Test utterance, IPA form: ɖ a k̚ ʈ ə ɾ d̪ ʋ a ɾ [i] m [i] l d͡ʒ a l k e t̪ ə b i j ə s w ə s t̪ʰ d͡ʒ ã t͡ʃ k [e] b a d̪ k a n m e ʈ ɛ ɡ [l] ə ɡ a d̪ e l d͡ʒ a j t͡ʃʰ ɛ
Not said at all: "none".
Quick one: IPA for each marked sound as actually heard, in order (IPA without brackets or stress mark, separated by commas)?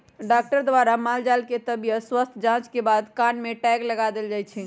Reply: a, a, e, l